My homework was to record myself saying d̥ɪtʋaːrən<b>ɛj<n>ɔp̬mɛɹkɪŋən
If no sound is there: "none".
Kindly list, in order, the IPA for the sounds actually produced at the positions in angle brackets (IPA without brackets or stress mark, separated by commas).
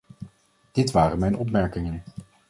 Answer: m, n